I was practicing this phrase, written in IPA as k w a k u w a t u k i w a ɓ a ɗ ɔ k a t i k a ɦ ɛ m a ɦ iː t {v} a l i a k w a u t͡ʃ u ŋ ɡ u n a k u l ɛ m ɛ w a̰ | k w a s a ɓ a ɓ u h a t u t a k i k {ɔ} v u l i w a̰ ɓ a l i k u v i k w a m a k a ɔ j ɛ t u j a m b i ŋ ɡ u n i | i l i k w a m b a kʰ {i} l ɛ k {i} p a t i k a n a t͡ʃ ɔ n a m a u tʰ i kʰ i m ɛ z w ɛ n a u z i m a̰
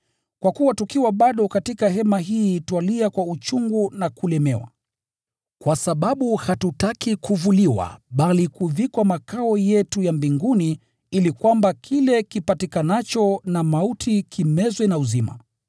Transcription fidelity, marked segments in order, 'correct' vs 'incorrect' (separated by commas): incorrect, incorrect, correct, correct